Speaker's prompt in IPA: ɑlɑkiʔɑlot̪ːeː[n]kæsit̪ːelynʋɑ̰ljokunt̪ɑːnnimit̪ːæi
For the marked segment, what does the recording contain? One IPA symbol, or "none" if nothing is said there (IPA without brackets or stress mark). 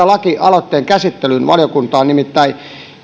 ŋ